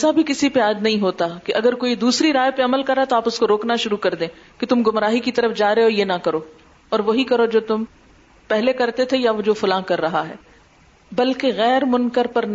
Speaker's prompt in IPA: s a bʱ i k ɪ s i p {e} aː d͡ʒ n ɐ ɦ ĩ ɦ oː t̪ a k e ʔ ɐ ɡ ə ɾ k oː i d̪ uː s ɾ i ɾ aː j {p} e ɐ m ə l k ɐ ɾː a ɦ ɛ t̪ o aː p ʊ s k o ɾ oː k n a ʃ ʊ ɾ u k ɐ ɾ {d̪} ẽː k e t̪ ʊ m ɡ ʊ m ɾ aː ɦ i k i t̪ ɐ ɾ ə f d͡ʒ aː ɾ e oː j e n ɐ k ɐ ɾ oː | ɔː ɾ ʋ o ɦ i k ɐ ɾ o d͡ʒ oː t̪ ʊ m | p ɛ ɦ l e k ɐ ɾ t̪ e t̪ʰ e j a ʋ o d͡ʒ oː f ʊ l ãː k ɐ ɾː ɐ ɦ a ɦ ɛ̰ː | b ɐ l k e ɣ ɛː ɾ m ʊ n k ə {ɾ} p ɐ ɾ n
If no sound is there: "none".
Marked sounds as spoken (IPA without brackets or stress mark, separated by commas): e, p, d̪, ɾ